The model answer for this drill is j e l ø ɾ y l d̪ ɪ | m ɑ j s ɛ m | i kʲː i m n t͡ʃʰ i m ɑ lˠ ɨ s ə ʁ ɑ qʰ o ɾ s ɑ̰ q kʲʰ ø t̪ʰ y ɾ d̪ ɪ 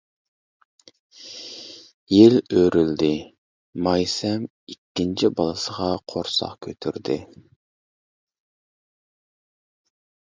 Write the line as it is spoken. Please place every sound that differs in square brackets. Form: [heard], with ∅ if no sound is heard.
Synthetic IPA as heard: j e l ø ɾ y l d̪ ɪ | m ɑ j s ɛ m | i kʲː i [∅] n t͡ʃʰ i [b] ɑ lˠ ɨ s ə ʁ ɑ qʰ o ɾ s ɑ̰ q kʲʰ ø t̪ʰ y ɾ d̪ ɪ